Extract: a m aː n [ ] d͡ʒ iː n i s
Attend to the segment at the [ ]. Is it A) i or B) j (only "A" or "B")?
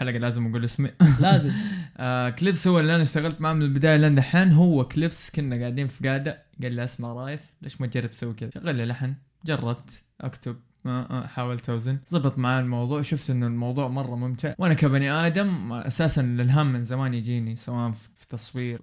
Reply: B